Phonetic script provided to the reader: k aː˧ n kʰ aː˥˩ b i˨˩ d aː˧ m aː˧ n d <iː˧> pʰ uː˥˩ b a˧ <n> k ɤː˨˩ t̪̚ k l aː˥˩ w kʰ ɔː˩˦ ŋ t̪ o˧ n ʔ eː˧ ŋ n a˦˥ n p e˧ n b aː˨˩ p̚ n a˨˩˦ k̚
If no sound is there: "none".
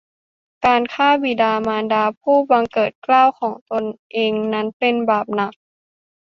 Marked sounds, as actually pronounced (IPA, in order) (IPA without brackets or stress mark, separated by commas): aː˧, ŋ